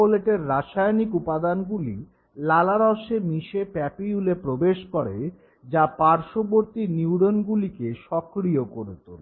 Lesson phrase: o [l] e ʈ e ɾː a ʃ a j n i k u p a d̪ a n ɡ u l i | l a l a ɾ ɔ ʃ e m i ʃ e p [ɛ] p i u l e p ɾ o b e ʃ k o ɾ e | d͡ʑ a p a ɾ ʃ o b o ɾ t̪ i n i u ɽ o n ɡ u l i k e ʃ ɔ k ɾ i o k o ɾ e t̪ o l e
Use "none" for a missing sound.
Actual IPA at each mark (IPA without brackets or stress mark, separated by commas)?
l, ɛ